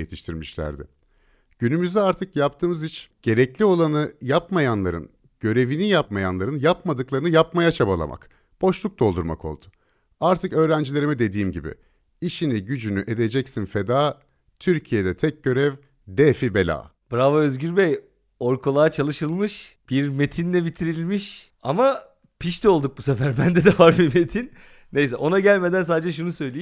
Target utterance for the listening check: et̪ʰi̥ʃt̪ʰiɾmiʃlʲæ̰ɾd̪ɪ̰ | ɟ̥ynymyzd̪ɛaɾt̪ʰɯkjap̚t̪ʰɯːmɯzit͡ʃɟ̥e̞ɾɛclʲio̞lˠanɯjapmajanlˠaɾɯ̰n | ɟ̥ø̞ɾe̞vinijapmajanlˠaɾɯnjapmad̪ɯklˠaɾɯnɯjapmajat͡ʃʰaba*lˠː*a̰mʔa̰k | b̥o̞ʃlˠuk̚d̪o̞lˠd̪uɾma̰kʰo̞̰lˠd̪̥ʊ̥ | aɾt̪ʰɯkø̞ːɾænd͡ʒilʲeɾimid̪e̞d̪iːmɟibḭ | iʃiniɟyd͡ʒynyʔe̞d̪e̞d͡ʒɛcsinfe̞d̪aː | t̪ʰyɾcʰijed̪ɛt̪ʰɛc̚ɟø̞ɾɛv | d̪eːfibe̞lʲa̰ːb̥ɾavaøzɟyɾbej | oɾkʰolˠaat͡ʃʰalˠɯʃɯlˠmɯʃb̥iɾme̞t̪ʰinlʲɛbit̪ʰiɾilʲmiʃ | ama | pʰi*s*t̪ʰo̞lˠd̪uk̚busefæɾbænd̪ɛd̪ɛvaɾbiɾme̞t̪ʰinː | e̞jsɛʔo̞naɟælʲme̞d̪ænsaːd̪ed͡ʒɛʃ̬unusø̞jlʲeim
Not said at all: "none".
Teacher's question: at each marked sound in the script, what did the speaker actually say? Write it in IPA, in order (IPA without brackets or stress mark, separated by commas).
lˠ, ʃ